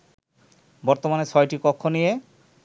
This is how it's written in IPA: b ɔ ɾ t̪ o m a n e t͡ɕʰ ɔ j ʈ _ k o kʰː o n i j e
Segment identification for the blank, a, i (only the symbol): i